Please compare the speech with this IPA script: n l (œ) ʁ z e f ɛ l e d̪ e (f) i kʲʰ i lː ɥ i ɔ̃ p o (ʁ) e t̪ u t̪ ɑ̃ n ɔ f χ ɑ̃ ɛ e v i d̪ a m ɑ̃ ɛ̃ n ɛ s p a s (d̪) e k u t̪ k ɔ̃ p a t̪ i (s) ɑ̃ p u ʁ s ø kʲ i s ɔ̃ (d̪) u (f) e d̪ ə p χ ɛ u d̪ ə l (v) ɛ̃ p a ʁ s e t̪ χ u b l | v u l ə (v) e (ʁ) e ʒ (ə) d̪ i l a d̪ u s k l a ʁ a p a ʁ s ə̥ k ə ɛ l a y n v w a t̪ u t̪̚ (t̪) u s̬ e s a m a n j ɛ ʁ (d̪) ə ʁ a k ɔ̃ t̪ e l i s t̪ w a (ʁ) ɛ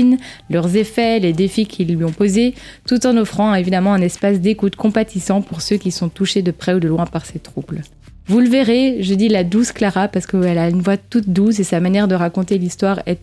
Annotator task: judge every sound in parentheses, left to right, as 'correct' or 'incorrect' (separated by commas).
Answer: correct, correct, incorrect, correct, correct, incorrect, incorrect, incorrect, correct, correct, correct, incorrect, correct, correct